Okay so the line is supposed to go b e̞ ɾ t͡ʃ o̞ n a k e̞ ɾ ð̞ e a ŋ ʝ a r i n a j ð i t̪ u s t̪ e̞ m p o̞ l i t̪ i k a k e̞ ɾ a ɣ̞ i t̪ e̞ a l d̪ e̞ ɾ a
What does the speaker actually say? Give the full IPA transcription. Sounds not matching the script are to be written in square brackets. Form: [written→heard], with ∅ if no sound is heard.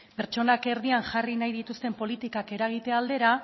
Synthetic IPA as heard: [b→p] e̞ ɾ t͡ʃ o̞ n a k e̞ ɾ ð̞ [e→i] a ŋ ʝ a r i n a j ð i t̪ u s t̪ e̞ m p o̞ l i t̪ i k a k e̞ ɾ a ɣ̞ i t̪ e̞ a l d̪ e̞ ɾ a